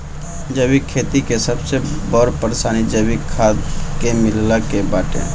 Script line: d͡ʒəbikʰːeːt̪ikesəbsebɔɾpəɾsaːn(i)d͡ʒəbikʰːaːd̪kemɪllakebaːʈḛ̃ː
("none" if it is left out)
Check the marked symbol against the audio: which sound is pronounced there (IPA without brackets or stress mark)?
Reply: i